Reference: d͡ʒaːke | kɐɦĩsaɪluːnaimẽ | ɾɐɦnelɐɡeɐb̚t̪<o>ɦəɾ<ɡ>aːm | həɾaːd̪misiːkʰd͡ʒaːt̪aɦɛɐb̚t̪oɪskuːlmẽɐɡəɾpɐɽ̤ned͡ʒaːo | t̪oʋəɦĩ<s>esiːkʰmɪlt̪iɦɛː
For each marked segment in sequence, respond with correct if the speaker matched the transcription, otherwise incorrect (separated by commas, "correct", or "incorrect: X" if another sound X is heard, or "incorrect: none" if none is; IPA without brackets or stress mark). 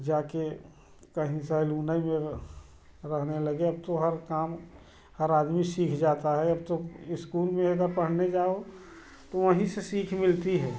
correct, incorrect: k, correct